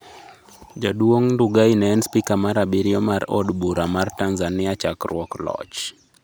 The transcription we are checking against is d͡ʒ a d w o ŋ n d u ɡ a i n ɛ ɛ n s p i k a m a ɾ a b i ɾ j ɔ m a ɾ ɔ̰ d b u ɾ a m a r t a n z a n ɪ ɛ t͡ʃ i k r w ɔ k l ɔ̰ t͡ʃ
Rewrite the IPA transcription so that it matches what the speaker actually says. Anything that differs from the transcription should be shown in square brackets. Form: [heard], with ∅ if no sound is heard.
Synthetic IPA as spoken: d͡ʒ a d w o ŋ n d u ɡ a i n ɛ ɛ n s p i k a m a ɾ a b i ɾ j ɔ m a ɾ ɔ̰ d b u ɾ a m a r t a n z a n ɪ [a] t͡ʃ [a] k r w ɔ k l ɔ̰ t͡ʃ

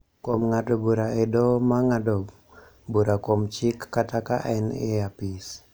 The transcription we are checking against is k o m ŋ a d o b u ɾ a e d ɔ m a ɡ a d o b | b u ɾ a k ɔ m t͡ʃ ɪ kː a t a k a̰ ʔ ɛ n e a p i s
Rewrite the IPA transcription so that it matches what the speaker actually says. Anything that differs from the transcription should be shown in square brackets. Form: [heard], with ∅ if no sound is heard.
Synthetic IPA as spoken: k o m ŋ a d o b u ɾ a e d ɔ m a [ŋ] a d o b | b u ɾ a k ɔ m t͡ʃ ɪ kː a t a k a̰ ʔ ɛ n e a p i s

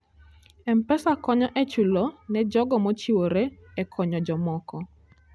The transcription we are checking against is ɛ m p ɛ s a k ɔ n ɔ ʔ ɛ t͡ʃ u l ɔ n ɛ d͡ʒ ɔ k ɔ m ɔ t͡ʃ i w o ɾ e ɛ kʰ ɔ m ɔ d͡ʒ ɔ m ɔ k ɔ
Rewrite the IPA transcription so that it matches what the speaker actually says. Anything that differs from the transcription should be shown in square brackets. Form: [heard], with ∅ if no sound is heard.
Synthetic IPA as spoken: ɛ m p ɛ s a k ɔ [ɲ] ɔ ʔ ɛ t͡ʃ u l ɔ n ɛ d͡ʒ ɔ [ɡ] ɔ m ɔ t͡ʃ i w o ɾ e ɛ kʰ ɔ [ɲ] ɔ d͡ʒ ɔ m ɔ k ɔ

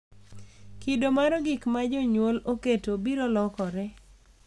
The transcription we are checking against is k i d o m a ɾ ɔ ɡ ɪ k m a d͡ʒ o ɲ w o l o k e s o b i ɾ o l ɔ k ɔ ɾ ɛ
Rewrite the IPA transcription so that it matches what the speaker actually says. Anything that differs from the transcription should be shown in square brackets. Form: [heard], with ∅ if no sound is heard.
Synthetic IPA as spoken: k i d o m a ɾ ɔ ɡ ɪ k m a d͡ʒ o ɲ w o l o k e [t] o b i ɾ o l ɔ k ɔ ɾ ɛ

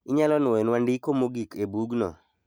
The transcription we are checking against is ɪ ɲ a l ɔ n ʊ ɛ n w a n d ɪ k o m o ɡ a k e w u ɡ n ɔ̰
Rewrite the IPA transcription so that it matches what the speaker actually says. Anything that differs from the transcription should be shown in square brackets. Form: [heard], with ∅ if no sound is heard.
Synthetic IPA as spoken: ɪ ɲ a l ɔ n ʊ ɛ n w a n d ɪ k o m o ɡ [i] k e [b] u ɡ n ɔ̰

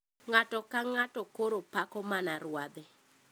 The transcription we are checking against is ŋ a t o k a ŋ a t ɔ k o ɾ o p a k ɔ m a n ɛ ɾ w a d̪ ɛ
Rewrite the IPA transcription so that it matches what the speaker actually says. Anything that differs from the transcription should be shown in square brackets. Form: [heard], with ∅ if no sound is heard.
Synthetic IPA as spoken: ŋ a t [ɔ] k a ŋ a t ɔ k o ɾ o p a k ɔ m a n [a] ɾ w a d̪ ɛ

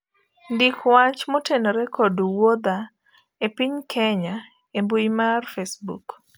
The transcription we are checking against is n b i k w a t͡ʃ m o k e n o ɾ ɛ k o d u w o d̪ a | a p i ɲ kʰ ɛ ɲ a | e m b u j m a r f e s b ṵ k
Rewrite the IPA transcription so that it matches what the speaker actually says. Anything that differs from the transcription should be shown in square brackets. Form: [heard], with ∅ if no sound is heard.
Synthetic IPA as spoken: n [d] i k w a t͡ʃ m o [t] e n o ɾ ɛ k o d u w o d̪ a | [e] p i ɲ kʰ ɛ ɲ a | e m b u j m a r f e s b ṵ k

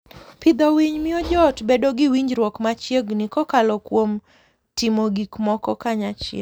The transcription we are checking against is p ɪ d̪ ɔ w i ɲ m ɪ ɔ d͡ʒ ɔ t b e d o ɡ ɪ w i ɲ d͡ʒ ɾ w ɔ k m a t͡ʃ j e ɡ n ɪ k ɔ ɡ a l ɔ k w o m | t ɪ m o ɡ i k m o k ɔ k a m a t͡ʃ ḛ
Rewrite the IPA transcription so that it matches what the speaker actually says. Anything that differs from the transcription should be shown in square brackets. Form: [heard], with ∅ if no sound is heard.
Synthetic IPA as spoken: p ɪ d̪ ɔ w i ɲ m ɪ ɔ d͡ʒ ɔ t b e d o ɡ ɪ w i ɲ d͡ʒ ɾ w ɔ k m a t͡ʃ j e ɡ n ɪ k ɔ [k] a l ɔ k w o m | t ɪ m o ɡ i k m [ɔ] k ɔ k a [ɲ] a t͡ʃ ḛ

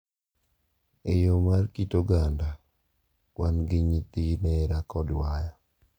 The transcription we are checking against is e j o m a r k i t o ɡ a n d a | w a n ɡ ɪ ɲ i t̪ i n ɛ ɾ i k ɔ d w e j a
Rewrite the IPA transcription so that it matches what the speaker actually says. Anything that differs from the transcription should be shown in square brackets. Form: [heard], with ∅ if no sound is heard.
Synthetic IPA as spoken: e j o m a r k i t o ɡ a n d a | w a n ɡ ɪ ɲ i t̪ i n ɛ ɾ [a] k ɔ d w [a] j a

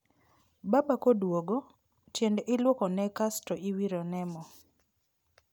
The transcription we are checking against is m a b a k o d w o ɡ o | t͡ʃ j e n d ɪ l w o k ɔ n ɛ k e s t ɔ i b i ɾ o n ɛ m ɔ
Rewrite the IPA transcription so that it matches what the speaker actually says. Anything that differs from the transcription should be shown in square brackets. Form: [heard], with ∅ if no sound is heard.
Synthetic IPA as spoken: [b] a b a k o d w o ɡ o | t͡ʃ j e n d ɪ l w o k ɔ n ɛ k [a] s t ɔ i [w] i ɾ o n ɛ m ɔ

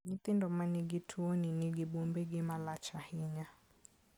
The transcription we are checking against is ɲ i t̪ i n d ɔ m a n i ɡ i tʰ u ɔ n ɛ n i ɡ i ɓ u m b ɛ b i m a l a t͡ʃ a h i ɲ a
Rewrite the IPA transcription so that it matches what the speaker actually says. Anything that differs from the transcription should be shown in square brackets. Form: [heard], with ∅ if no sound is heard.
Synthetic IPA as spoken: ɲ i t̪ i n d ɔ m a n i ɡ i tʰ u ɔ n [i] n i ɡ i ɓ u m b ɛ [ɡ] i m a l a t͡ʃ a h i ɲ a

